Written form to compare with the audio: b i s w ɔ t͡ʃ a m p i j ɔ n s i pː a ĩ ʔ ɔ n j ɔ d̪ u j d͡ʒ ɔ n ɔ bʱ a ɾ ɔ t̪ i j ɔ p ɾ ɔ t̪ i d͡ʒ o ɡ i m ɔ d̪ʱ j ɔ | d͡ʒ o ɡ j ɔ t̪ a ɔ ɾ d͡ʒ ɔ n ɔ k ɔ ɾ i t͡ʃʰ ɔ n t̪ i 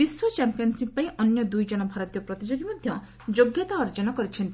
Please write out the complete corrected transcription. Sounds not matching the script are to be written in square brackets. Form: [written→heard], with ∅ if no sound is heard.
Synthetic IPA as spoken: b i s w ɔ t͡ʃ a m p i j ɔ n s i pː a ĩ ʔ ɔ n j ɔ d̪ u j d͡ʒ ɔ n ɔ bʱ a ɾ ɔ t̪ i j ɔ p ɾ ɔ t̪ i d͡ʒ o ɡ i m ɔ d̪ʱ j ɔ | d͡ʒ o ɡ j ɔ t̪ a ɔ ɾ d͡ʒ ɔ n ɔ k ɔ ɾ i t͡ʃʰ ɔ n t̪ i